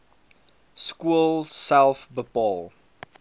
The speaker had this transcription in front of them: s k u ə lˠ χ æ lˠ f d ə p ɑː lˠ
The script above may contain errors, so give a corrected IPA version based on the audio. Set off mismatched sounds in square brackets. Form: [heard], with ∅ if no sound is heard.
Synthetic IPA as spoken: s k u ə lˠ [s] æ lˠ f [b] ə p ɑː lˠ